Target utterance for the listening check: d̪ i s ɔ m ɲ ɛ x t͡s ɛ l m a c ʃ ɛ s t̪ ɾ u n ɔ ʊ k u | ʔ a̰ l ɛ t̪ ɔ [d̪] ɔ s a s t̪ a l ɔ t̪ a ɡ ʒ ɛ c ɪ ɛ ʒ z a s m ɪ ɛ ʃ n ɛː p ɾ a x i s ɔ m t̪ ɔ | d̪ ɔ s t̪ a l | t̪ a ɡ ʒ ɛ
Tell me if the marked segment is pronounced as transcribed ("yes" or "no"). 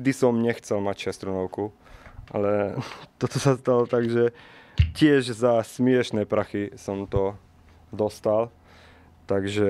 no